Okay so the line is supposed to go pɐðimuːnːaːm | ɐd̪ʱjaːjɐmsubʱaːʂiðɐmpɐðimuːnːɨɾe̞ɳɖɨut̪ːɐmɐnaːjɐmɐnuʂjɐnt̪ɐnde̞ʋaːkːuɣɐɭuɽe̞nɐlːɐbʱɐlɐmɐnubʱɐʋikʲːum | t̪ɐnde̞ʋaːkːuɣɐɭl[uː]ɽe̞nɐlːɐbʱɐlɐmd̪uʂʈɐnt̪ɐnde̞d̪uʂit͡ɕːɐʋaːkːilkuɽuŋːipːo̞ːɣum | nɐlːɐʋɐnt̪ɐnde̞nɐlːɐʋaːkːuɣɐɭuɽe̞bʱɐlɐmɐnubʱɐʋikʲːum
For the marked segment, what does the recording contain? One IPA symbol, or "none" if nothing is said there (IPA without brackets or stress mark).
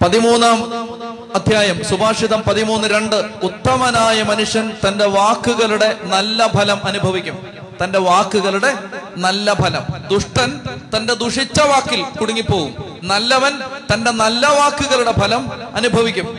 u